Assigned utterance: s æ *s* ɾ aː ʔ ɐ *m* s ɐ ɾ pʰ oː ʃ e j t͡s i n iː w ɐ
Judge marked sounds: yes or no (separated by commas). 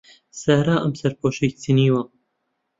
no, yes